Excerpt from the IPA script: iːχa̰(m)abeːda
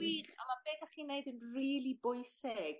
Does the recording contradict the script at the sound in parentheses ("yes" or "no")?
no